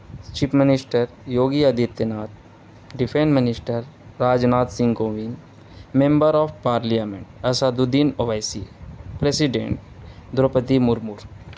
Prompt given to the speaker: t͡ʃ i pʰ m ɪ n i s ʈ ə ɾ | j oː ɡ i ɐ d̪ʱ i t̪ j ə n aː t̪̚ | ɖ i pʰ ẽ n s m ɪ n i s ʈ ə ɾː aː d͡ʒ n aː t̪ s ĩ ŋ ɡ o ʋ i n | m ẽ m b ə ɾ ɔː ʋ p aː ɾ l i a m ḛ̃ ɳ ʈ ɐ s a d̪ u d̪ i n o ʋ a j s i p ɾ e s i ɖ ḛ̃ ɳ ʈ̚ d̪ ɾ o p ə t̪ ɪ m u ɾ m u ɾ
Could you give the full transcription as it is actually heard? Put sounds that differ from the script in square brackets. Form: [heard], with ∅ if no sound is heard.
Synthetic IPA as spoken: t͡ʃ i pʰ m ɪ n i s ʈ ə ɾ | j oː ɡ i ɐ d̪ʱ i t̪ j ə n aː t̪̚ | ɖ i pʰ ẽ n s m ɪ n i s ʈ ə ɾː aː d͡ʒ n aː t̪ s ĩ ŋ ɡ o ʋ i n | m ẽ m b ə ɾ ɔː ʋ p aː ɾ l i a m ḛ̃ ɳ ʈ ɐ s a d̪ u d̪ i n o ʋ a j s i p ɾ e s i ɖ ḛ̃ ɳ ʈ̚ d̪ ɾ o p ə t̪ [i] m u ɾ m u ɾ